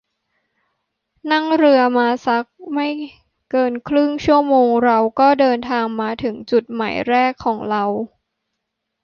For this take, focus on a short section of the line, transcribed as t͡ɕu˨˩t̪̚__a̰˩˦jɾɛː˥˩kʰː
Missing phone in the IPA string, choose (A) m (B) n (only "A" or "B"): A